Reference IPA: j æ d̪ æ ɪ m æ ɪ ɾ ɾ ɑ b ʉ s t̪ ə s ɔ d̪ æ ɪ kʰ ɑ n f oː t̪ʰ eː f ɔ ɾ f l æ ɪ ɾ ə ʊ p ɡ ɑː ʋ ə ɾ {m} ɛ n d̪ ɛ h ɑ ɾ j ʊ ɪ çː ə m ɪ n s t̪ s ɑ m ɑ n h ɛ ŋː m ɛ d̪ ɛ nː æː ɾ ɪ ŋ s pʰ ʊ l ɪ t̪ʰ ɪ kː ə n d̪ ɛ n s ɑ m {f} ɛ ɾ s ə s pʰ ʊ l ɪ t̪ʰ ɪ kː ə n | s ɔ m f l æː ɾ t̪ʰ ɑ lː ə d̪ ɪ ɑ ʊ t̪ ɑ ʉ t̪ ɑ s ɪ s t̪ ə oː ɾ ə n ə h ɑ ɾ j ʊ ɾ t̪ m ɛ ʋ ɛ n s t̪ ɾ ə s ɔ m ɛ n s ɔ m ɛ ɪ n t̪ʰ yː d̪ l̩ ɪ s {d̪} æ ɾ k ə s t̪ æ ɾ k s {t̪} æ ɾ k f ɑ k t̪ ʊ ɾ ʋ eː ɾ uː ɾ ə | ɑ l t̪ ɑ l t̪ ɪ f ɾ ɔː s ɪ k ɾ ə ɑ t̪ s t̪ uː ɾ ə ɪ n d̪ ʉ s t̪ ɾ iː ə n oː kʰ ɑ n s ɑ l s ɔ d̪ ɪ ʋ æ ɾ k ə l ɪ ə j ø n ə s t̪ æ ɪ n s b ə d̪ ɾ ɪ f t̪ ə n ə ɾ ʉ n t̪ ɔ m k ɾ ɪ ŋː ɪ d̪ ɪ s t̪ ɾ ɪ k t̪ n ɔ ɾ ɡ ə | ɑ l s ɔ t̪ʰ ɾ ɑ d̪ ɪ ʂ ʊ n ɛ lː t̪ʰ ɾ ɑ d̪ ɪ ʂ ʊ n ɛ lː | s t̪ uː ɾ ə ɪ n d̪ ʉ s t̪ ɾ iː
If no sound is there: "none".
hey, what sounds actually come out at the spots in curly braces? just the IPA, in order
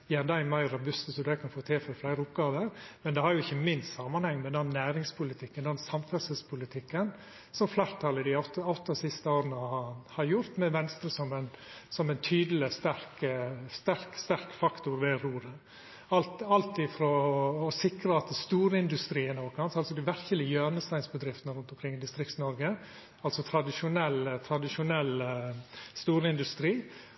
m, f, t̪, t̪

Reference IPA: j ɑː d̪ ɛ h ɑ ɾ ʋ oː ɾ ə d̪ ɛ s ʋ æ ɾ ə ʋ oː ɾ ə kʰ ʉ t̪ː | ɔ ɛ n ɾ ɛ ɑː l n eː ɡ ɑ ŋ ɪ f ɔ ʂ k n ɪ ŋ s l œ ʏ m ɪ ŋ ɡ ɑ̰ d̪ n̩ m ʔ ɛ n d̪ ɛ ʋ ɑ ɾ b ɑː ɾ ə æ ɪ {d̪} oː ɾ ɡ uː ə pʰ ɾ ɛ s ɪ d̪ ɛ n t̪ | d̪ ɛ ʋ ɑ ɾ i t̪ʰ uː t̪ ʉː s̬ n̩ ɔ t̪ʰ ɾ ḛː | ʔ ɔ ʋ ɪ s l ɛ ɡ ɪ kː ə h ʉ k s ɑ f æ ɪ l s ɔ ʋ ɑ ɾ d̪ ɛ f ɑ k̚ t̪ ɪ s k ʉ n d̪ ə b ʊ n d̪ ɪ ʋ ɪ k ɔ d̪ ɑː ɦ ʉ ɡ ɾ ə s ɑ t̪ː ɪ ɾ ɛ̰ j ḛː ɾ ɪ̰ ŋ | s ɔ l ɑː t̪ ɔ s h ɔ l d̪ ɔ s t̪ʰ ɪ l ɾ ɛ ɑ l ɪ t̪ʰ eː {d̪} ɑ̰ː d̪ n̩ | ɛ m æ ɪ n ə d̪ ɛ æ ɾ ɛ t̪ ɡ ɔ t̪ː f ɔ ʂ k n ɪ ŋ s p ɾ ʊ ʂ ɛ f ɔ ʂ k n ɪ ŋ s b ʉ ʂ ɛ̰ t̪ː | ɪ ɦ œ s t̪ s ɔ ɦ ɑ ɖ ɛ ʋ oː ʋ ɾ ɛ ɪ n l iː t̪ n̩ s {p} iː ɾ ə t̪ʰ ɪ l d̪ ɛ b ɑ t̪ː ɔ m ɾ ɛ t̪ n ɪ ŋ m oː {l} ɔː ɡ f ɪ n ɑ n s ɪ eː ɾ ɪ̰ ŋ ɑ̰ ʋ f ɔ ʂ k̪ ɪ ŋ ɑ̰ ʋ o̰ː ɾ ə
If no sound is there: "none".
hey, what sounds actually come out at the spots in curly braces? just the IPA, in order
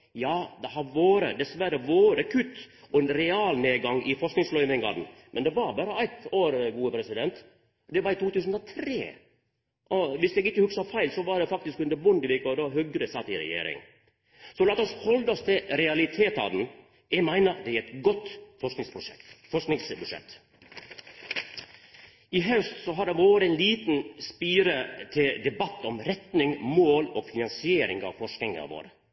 t̪, t̪, p, l

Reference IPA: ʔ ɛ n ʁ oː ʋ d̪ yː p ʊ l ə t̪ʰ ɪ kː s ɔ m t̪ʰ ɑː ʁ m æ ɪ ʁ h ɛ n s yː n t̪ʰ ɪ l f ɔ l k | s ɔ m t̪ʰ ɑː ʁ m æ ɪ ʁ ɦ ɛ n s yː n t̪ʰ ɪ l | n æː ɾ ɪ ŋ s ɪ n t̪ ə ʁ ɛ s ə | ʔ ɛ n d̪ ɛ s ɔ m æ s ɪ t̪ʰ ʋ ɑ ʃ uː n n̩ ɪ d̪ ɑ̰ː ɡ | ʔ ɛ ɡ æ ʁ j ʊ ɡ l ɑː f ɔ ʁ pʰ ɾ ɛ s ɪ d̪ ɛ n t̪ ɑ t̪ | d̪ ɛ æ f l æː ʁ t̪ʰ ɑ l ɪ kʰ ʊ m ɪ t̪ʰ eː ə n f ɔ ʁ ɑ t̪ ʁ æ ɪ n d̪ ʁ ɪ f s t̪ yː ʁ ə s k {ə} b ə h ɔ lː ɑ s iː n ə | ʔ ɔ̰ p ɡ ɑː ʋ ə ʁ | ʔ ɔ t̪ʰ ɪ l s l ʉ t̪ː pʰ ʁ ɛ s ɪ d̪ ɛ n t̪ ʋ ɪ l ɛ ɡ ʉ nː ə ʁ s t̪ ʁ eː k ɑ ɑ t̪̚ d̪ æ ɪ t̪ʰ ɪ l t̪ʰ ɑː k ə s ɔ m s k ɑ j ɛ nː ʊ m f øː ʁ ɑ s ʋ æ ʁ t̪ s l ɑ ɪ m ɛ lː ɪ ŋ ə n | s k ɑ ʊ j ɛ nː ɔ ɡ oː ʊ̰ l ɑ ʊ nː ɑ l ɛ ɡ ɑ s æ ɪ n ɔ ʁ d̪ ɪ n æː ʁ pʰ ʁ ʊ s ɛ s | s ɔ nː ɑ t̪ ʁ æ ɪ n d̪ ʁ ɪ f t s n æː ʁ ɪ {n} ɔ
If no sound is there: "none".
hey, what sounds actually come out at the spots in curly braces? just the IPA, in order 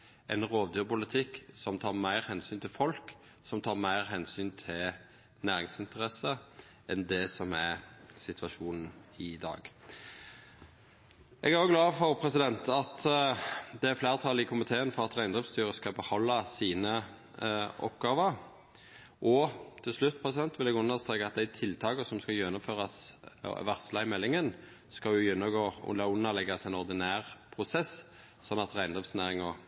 ɑ, ŋ

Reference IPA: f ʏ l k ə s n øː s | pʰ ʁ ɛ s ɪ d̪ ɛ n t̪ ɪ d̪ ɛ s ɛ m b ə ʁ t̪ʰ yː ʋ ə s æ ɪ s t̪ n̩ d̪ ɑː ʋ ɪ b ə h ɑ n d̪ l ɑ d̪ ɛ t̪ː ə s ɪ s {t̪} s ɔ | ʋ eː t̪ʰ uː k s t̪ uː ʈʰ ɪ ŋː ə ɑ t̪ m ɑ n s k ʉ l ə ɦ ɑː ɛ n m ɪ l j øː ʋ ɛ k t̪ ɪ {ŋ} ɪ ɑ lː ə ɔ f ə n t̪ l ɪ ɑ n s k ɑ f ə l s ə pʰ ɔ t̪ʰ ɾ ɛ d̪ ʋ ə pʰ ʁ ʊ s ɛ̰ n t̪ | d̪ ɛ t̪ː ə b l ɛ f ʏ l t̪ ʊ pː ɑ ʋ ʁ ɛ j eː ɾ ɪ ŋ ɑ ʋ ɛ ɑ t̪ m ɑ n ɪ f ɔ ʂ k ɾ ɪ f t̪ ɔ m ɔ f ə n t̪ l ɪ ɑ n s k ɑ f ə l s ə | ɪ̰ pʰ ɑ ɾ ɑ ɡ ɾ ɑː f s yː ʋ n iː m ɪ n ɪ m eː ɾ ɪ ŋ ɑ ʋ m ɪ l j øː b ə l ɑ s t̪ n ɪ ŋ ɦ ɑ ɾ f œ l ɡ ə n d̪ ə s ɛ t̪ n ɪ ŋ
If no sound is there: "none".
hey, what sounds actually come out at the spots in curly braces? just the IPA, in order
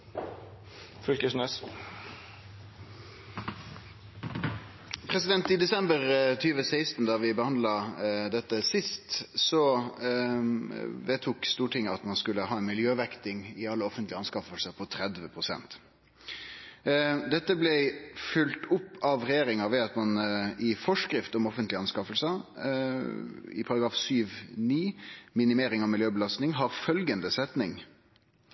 t̪, ŋ

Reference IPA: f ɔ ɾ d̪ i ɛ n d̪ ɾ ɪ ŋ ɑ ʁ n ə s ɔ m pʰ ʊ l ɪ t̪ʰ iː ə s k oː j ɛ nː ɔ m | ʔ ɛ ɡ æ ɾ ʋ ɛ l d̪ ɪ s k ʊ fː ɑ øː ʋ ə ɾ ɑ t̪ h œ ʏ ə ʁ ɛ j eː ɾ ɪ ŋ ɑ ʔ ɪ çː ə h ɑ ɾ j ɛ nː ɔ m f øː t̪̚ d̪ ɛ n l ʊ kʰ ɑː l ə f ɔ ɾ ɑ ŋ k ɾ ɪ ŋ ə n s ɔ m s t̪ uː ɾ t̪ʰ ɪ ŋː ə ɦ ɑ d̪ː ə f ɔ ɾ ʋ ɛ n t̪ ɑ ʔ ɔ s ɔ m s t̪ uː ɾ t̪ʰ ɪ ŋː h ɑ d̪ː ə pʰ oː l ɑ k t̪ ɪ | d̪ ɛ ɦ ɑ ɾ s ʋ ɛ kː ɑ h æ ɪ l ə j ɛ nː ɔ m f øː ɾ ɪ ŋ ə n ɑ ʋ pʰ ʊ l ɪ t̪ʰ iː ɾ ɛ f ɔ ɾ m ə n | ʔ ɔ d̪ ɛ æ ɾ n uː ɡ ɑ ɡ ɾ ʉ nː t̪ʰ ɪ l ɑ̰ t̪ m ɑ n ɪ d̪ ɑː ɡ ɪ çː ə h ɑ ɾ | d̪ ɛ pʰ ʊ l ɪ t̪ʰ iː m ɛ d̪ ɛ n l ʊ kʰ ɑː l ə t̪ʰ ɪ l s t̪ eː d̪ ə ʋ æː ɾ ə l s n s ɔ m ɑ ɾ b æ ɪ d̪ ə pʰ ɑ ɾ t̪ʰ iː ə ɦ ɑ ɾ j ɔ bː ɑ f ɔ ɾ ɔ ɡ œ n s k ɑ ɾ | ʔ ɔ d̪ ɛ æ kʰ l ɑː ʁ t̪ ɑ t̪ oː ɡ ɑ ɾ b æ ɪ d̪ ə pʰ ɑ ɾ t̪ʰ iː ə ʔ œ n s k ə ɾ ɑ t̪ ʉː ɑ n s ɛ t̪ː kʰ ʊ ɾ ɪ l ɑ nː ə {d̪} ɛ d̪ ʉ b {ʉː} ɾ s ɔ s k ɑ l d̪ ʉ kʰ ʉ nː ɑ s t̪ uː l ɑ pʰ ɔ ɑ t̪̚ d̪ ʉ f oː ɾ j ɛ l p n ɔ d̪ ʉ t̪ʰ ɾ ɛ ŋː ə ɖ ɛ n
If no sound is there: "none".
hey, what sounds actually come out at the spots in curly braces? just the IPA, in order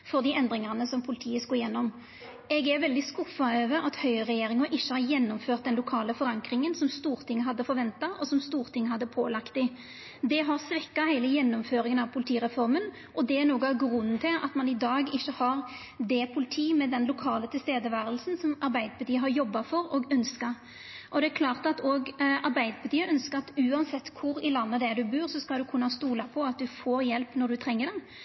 d̪, ʉː

